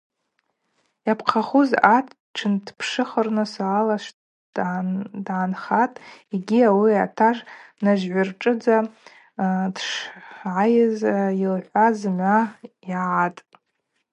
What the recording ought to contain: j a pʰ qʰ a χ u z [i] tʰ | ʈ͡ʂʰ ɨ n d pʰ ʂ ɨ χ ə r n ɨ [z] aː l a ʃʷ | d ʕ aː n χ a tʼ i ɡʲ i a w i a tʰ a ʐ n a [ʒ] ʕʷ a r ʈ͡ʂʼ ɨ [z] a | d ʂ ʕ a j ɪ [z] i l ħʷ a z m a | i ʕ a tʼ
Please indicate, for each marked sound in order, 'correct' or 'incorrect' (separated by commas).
incorrect, incorrect, correct, incorrect, correct